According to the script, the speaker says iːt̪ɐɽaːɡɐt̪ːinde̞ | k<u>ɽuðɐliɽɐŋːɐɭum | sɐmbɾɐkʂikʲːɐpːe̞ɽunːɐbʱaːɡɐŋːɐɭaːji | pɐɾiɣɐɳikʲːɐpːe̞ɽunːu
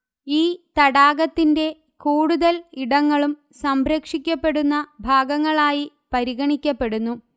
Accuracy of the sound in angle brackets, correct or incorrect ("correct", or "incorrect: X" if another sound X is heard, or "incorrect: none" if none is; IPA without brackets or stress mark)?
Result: incorrect: uː